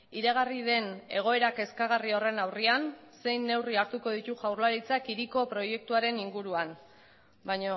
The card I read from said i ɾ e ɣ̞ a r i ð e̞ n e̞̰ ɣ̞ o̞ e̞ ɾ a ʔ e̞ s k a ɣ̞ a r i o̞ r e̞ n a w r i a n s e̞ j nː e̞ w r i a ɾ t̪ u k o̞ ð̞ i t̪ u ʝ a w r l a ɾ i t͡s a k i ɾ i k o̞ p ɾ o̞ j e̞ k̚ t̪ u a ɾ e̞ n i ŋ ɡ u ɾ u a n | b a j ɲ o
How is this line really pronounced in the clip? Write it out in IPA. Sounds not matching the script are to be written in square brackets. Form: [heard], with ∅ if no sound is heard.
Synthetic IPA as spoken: i ɾ e ɣ̞ a r i ð e̞ n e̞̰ ɣ̞ o̞ e̞ ɾ a [k] e̞ s k a ɣ̞ a r i o̞ r e̞ n a w r i a n s e̞ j nː e̞ w r i a ɾ t̪ u k o̞ ð̞ i t̪ u ʝ a w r l a ɾ i t͡s a k i ɾ i k o̞ p ɾ o̞ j e̞ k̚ t̪ u a ɾ e̞ n i ŋ ɡ u ɾ u a n | b a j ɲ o

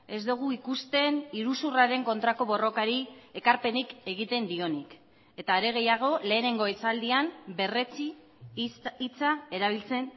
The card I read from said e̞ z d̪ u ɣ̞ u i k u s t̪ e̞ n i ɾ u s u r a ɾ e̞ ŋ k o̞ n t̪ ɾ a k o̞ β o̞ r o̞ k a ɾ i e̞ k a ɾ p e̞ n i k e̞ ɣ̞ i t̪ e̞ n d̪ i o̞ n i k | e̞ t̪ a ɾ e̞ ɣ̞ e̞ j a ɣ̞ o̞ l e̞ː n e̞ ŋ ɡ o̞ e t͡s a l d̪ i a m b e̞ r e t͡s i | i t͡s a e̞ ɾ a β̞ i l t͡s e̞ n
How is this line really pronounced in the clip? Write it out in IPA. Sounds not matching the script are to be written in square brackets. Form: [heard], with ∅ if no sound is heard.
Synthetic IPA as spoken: e̞ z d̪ u ɣ̞ u i k u s t̪ e̞ n i ɾ u s u r a ɾ e̞ ŋ k o̞ n t̪ ɾ a k o̞ β o̞ r o̞ k a ɾ i e̞ k a ɾ p e̞ n i k e̞ ɣ̞ i t̪ e̞ n d̪ i o̞ n i k | e̞ t̪ a ɾ e̞ ɣ̞ e̞ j a ɣ̞ o̞ l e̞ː n e̞ ŋ ɡ o̞ e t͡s a l d̪ i a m b e̞ r e t͡s i | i t͡s a e̞ ɾ a β̞ i l t͡s e̞ n

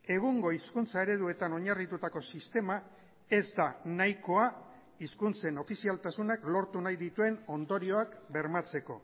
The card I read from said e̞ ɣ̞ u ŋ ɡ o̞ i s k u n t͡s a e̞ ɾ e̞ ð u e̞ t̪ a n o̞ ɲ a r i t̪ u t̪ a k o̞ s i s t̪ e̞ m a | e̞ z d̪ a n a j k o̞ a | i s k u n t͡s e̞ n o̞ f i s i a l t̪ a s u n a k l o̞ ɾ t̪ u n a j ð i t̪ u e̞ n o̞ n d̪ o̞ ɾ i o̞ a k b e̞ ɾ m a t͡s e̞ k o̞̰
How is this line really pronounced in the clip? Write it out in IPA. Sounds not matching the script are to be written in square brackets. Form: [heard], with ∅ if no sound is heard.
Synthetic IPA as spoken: e̞ ɣ̞ u ŋ ɡ o̞ i s k u n t͡s a e̞ ɾ e̞ ð u e̞ t̪ a n o̞ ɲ a r i t̪ u t̪ a k o̞ s i s t̪ e̞ m a | e̞ z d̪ a n a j k o̞ a | i s k u n t͡s e̞ n o̞ f i s i a l t̪ a s u n a k l o̞ ɾ t̪ u n a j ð i t̪ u e̞ n o̞ n d̪ o̞ ɾ i o̞ a k b e̞ ɾ m a t͡s e̞ k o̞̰

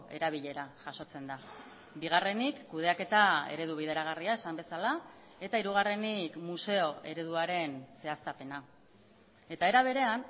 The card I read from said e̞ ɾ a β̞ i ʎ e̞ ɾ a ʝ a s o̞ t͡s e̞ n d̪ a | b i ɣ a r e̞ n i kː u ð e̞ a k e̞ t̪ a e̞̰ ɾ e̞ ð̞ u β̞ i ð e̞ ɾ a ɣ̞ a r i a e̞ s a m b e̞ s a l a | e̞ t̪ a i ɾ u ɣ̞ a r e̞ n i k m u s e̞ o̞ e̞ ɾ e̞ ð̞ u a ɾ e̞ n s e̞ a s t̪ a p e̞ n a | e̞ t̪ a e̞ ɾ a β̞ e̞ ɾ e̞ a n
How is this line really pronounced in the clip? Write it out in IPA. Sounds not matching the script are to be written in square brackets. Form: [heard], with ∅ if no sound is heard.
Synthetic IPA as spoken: e̞ ɾ a β̞ i ʎ e̞ ɾ a ʝ a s o̞ t͡s e̞ n d̪ a | b i ɣ a r e̞ n i kː u ð e̞ a k e̞ t̪ a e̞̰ ɾ e̞ ð̞ u β̞ i ð e̞ ɾ a ɣ̞ a r i a e̞ s a m b e̞ s a l a | e̞ t̪ a i ɾ u ɣ̞ a r e̞ n i k m u s e̞ o̞ e̞ ɾ e̞ ð̞ u a ɾ e̞ n s e̞ a s t̪ a p e̞ n a | e̞ t̪ a e̞ ɾ a β̞ e̞ ɾ e̞ a n

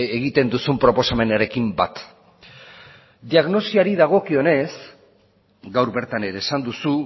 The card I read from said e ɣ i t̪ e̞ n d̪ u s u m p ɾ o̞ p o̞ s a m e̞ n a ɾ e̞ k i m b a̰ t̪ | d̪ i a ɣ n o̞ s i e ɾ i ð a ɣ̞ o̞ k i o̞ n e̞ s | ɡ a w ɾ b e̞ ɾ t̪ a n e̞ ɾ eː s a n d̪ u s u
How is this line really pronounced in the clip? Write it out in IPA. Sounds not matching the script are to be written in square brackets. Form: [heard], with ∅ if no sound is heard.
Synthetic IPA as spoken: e ɣ i t̪ e̞ n d̪ u s u m p ɾ o̞ p o̞ s a m e̞ n a ɾ e̞ k i m b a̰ t̪ | d̪ i a ɣ n o̞ s i [a] ɾ i ð a ɣ̞ o̞ k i o̞ n e̞ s | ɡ a w ɾ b e̞ ɾ t̪ a n e̞ ɾ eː s a n d̪ u s u

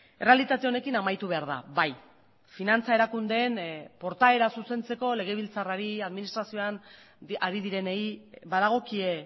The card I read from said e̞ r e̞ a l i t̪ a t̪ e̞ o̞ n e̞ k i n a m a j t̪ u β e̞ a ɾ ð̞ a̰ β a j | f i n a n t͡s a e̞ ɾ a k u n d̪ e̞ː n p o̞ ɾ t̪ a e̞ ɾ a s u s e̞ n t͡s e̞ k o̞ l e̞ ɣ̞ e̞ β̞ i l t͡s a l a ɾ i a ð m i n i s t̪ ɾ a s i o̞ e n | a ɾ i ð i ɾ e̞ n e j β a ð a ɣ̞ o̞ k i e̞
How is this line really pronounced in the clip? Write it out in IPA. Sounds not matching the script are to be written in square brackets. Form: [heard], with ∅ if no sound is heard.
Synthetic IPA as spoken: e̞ r e̞ a l i t̪ a t̪ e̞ o̞ n e̞ k i n a m a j t̪ u β e̞ a ɾ ð̞ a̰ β a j | f i n a n t͡s a e̞ ɾ a k u n d̪ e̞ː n p o̞ ɾ t̪ a e̞ ɾ a s u s e̞ n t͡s e̞ k o̞ l e̞ ɣ̞ e̞ β̞ i l t͡s a [r] a ɾ i a ð m i n i s t̪ ɾ a s i o̞ [a] n | a ɾ i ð i ɾ e̞ n e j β a ð a ɣ̞ o̞ k i e̞

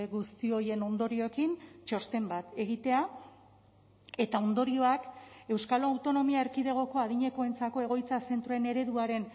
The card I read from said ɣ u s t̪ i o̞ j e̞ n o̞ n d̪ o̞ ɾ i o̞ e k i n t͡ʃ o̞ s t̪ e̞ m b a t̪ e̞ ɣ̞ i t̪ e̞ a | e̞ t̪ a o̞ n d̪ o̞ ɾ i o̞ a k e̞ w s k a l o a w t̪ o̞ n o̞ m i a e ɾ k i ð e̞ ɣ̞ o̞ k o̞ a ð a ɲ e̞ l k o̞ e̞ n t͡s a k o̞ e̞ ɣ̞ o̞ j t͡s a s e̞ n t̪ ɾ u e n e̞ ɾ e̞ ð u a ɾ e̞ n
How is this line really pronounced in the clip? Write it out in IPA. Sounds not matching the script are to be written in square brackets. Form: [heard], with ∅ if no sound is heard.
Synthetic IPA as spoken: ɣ u s t̪ i o̞ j e̞ n o̞ n d̪ o̞ ɾ i o̞ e k i n t͡ʃ o̞ s t̪ e̞ m b a t̪ e̞ ɣ̞ i t̪ e̞ a | e̞ t̪ a o̞ n d̪ o̞ ɾ i o̞ a k e̞ w s k a l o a w t̪ o̞ n o̞ m i a e ɾ k i ð e̞ ɣ̞ o̞ k o̞ a ð [i] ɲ e̞ [∅] k o̞ e̞ n t͡s a k o̞ e̞ ɣ̞ o̞ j t͡s a s e̞ n t̪ ɾ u e n e̞ ɾ e̞ ð u a ɾ e̞ n

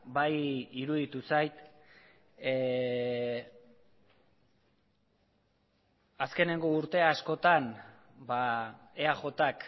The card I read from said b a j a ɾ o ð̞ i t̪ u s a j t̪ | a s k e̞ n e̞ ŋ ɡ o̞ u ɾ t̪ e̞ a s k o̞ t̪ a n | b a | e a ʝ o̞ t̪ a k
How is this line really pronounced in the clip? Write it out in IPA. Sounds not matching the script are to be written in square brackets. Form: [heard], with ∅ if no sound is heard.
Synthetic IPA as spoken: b a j [i] ɾ [u] ð̞ i t̪ u s a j t̪ | a s k e̞ n e̞ ŋ ɡ o̞ u ɾ t̪ e̞ a s k o̞ t̪ a n | b a | e a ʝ o̞ t̪ a k

